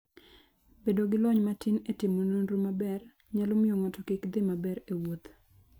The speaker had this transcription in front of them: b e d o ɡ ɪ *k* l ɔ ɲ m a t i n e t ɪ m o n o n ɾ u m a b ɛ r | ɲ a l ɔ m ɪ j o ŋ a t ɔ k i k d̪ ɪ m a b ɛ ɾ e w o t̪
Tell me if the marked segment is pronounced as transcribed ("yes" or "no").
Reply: no